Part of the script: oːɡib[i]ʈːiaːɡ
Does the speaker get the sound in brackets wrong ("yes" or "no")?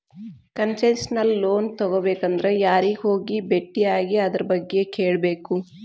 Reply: yes